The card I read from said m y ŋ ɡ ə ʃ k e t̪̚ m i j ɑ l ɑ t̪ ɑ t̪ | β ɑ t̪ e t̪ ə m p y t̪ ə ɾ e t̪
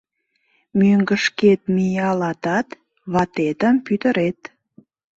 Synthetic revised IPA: m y ŋ ɡ ə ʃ k e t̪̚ m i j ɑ l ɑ t̪ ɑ t̪ | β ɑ t̪ e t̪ ə m p y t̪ ə ɾ e t̪